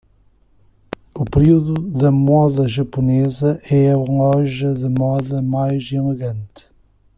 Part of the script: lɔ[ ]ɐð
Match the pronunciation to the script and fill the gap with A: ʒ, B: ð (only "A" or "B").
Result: A